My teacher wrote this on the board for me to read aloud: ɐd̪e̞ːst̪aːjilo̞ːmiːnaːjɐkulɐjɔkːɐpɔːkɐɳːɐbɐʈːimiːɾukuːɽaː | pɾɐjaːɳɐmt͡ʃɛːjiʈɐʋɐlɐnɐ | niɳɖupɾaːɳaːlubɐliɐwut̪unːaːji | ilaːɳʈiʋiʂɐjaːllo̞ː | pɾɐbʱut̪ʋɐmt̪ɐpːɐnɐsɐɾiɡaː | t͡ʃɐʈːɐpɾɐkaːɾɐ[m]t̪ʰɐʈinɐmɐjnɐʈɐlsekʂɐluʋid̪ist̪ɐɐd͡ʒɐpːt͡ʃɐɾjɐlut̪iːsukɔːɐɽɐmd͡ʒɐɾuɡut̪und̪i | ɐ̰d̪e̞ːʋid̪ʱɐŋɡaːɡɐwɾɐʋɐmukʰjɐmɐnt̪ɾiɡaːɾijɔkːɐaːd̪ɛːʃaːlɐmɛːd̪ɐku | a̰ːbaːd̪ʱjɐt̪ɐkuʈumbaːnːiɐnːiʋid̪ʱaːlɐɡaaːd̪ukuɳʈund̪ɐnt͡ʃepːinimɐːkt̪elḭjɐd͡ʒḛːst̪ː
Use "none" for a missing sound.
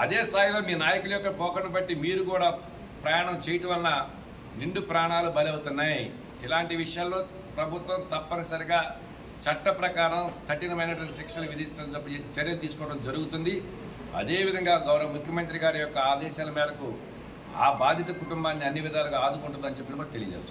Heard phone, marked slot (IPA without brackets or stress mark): m